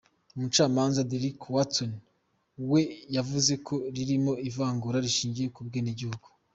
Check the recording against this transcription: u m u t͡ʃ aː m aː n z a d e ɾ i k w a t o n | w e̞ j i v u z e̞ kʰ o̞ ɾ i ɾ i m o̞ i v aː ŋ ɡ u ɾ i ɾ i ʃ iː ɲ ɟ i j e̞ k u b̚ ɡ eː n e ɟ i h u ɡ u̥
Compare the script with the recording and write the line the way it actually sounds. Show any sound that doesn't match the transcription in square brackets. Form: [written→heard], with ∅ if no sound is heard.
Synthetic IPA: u m u t͡ʃ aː m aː n z a d e ɾ i k w a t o n | w e̞ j [i→a] v u z e̞ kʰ o̞ ɾ i ɾ i m o̞ i v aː ŋ ɡ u ɾ [i→a] ɾ i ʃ iː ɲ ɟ i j e̞ k u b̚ ɡ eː n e ɟ i h u ɡ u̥